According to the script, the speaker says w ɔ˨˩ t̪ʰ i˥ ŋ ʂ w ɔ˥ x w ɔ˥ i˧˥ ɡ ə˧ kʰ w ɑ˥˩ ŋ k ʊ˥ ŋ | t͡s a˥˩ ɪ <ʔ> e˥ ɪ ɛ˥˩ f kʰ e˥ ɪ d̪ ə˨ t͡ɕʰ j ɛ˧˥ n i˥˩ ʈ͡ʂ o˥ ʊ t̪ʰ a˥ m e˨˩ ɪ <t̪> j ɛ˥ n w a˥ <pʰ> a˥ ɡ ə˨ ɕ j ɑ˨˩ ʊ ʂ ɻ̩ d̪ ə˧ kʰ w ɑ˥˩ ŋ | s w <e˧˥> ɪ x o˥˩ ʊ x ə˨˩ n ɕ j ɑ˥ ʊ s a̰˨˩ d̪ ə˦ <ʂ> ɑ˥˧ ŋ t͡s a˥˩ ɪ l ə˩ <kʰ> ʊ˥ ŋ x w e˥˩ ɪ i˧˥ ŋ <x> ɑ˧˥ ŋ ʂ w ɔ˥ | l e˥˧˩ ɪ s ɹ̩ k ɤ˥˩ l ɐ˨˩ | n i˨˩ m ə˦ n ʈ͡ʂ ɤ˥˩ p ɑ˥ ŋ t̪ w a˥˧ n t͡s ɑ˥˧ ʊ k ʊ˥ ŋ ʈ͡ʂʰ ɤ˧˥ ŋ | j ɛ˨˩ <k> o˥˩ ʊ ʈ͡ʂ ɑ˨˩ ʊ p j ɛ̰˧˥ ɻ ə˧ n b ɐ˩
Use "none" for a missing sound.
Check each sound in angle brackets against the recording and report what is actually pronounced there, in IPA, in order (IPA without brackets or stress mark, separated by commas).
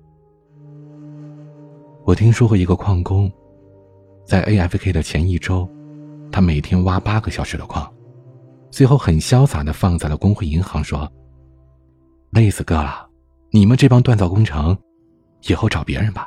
ʔ, t̪ʰ, p, e˥˧, f, k, x, x